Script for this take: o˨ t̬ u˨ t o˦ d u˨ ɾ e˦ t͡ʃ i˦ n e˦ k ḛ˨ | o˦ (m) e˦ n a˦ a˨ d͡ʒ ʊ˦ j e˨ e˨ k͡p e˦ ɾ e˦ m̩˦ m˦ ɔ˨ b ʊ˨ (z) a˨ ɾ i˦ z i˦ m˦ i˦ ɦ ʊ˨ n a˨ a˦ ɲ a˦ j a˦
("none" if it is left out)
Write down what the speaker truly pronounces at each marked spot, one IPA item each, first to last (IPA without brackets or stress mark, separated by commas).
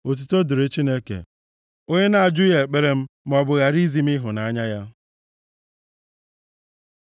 ɲ, ɣ